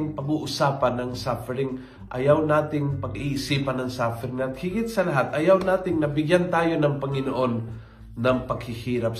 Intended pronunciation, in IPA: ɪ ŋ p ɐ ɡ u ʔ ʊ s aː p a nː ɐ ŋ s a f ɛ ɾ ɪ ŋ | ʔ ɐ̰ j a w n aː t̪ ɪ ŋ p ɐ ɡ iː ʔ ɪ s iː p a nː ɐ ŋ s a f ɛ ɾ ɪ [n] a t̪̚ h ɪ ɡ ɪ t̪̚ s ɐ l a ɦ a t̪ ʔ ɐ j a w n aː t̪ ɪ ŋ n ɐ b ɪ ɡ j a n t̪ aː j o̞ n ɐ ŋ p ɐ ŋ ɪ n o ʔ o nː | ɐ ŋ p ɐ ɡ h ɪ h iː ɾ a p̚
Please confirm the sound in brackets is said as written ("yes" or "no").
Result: no